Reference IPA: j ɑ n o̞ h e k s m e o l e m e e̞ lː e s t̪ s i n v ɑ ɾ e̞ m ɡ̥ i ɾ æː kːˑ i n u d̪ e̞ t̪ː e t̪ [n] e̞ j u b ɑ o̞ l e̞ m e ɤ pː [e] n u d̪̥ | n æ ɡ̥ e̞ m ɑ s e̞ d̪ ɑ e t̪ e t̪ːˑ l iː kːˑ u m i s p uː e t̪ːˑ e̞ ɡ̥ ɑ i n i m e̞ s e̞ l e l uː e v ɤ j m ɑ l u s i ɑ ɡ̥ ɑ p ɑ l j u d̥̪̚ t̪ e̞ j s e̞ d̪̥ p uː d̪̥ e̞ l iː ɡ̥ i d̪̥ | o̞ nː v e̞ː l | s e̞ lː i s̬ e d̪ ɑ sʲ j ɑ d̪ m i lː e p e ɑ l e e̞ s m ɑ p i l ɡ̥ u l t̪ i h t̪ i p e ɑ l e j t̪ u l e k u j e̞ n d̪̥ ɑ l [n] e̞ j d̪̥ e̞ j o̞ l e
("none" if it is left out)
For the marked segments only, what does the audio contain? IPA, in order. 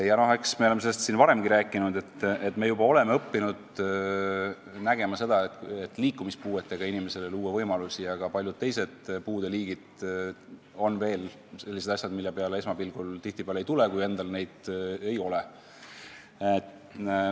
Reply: m, i, n

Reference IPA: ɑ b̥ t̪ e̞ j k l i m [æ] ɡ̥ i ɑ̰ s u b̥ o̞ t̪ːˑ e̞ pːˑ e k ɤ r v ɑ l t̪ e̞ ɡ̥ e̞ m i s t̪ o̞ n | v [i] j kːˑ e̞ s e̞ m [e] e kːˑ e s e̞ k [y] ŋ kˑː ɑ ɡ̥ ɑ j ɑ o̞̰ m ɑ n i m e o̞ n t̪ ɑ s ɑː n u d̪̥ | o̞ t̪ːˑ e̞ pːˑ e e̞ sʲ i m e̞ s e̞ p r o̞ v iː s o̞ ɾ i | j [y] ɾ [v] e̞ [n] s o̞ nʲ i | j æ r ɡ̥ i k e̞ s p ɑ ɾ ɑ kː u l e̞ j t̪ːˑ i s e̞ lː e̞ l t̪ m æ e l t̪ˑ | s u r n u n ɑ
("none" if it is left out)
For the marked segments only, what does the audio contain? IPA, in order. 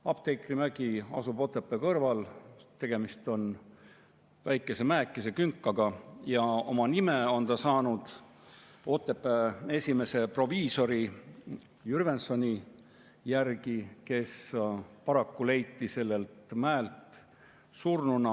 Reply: æ, æ, æ, y, y, v, n

